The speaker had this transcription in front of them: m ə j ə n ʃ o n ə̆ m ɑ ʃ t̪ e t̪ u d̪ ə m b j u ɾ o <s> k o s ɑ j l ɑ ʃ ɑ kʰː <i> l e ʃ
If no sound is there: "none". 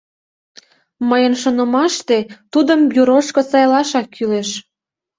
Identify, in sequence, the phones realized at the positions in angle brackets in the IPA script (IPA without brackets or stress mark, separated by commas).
ʃ, y